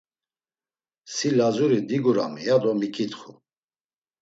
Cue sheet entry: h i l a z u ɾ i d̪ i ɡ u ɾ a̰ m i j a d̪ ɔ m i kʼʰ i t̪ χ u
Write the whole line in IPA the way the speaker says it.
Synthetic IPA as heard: s i l a z u ɾ i d̪ i ɡ u ɾ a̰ m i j a d̪ ɔ m i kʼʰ i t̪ χ u